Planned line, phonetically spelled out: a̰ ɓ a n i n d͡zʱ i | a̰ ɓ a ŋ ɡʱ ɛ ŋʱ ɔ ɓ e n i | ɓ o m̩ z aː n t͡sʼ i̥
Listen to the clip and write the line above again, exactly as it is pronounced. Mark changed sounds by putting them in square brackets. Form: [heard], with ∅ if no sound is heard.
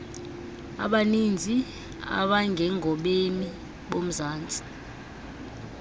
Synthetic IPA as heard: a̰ ɓ a n i n d͡zʱ i | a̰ ɓ a ŋ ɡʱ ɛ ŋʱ ɔ ɓ e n i | ɓ o m̩ z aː n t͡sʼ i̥